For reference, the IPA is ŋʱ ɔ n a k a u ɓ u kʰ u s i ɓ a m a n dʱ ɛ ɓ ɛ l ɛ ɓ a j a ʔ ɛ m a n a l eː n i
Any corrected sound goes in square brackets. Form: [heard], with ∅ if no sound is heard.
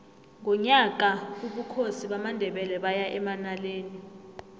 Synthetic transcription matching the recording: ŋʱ ɔ [ɲ] a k a u ɓ u kʰ [o] s i ɓ a m a n dʱ ɛ ɓ ɛ l ɛ ɓ a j a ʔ ɛ m a n a l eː n i

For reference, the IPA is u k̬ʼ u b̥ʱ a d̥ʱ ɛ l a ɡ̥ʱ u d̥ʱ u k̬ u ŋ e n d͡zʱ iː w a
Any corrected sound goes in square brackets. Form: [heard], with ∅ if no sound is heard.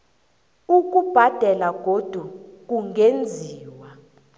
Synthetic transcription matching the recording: u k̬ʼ u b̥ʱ a d̥ʱ ɛ l a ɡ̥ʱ [o] d̥ʱ u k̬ u ŋ e n d͡zʱ iː w a

